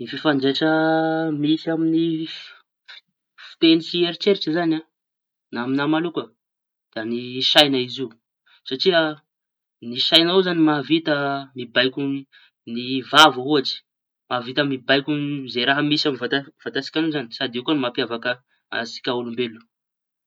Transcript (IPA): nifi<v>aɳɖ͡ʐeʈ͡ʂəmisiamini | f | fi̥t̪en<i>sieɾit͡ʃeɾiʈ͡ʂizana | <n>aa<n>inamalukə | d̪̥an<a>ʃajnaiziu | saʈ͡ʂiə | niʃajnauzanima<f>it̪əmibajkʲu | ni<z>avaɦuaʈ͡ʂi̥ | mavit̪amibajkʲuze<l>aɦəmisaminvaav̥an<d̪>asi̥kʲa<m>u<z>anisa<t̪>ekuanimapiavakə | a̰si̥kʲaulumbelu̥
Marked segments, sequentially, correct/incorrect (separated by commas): incorrect, correct, correct, incorrect, incorrect, incorrect, incorrect, incorrect, incorrect, incorrect, correct, incorrect